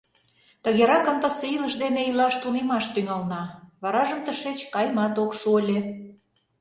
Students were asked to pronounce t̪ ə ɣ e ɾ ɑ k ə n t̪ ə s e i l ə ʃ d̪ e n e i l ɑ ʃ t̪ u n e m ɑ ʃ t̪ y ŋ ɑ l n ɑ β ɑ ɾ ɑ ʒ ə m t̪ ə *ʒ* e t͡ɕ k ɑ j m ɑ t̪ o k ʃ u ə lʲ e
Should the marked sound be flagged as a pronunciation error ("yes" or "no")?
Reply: yes